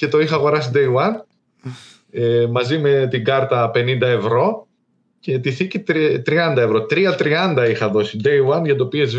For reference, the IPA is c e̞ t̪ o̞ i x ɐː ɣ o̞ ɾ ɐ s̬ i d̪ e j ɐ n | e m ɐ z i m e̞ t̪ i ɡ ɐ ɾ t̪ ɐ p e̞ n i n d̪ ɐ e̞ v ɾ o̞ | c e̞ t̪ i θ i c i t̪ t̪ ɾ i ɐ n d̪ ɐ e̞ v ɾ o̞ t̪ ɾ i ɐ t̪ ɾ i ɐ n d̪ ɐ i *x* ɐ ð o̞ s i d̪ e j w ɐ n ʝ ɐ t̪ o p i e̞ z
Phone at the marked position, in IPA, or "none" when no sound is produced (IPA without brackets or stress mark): x